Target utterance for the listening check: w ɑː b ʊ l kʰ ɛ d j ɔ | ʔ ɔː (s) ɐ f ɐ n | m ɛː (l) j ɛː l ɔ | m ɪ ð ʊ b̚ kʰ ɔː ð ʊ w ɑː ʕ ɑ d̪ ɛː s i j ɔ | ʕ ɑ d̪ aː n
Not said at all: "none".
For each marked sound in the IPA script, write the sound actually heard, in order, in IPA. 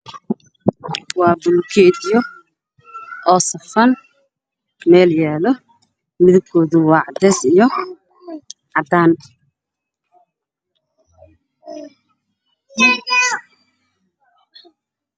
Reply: s, l

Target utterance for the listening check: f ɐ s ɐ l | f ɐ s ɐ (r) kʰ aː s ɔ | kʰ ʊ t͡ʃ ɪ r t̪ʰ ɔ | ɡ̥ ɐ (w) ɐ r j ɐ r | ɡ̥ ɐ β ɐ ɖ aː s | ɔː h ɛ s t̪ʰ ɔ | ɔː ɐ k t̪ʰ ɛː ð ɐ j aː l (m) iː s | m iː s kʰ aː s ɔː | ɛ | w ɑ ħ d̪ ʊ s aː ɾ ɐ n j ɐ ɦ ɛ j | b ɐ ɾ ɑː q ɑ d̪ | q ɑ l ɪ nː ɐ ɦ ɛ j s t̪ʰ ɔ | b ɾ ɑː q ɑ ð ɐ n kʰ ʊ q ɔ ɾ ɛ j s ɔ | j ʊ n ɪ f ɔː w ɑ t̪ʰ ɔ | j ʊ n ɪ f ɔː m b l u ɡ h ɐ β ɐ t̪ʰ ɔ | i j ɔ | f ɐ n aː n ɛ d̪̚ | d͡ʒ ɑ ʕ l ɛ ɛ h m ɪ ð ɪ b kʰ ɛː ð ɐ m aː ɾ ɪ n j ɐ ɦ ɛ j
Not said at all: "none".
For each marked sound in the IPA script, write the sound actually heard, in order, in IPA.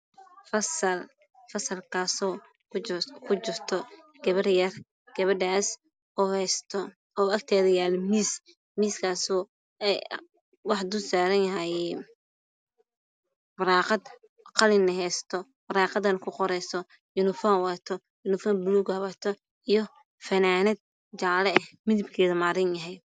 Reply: l, β, m

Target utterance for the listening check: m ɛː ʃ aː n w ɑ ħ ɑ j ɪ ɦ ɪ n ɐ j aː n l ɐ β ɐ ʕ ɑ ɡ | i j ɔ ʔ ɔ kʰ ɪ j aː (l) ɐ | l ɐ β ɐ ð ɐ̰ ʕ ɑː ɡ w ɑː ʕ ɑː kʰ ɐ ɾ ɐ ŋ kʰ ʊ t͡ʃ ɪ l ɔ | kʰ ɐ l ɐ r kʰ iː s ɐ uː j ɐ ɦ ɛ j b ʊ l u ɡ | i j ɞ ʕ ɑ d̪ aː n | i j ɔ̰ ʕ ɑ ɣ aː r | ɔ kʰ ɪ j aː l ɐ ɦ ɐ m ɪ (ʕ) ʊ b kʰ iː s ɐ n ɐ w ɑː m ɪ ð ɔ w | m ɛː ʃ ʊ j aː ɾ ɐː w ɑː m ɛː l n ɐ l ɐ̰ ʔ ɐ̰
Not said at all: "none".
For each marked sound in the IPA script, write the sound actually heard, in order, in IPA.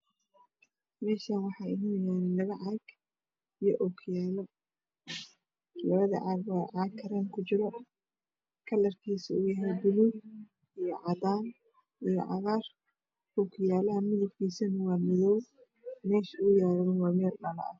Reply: l, ð

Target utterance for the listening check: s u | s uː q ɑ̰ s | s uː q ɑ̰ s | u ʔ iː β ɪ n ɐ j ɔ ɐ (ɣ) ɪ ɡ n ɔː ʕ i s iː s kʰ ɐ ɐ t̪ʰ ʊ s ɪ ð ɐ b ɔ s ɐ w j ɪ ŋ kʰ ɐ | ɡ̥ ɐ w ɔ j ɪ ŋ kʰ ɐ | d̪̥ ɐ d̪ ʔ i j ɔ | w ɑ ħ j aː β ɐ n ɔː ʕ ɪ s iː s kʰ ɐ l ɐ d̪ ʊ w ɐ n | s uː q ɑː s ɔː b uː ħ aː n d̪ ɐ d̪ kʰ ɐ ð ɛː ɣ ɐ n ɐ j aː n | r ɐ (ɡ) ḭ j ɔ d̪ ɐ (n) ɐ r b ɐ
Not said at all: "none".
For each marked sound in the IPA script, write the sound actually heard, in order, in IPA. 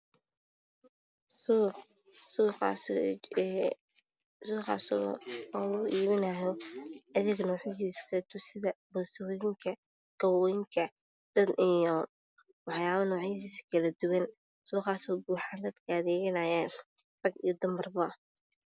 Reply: ð, ɡ, m

